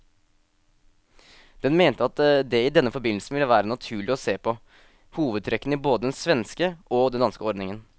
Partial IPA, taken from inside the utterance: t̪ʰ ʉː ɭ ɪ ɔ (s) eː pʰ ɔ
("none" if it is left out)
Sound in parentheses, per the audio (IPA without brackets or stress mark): s